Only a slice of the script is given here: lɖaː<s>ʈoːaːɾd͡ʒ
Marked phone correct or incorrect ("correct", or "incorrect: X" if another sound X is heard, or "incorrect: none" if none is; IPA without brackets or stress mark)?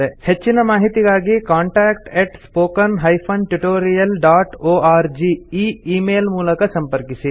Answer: incorrect: none